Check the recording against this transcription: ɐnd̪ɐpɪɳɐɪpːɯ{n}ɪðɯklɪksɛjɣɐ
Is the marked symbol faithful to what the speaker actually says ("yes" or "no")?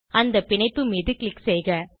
no